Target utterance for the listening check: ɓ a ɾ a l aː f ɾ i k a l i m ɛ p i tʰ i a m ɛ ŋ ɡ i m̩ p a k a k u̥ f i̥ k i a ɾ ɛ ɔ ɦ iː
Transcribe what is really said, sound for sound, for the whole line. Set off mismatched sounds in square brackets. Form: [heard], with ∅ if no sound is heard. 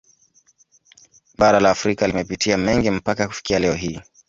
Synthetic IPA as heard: ɓ a ɾ a l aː f ɾ i k a l i m ɛ p i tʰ i a m ɛ ŋ ɡ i m̩ p a k a k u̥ f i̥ k i a [l] ɛ ɔ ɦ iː